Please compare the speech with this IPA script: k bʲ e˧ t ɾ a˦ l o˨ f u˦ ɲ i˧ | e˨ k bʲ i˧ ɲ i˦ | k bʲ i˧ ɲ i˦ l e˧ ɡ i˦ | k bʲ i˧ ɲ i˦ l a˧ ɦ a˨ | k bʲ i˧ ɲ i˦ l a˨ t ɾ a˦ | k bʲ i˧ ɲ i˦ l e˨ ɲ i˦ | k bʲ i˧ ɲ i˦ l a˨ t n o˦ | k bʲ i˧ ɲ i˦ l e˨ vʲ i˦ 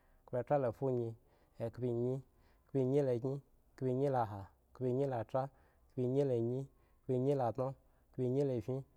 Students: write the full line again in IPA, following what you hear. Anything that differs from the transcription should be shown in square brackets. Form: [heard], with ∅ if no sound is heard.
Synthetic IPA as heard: k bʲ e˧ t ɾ a˦ l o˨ f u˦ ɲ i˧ | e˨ k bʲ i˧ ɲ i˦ | k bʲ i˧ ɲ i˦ l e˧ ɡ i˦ | k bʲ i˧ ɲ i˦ l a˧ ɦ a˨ | k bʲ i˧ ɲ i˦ l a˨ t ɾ a˦ | k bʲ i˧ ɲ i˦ l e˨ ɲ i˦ | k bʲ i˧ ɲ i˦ l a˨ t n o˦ | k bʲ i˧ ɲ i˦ l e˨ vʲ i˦